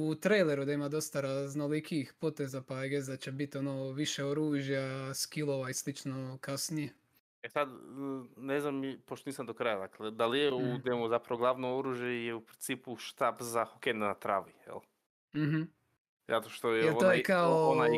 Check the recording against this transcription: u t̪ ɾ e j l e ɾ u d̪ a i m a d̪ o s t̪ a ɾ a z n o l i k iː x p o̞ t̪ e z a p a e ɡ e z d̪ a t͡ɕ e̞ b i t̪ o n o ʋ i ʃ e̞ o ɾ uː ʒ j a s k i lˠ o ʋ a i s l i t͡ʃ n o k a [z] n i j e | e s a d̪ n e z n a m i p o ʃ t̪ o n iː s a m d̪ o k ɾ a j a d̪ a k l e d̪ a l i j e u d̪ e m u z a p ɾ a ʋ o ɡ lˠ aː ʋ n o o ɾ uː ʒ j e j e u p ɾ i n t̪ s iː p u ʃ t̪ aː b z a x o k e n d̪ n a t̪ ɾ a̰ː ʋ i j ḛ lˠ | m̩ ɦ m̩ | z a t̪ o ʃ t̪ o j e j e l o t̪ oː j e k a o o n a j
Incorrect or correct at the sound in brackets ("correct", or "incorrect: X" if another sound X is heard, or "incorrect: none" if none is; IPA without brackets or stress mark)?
incorrect: s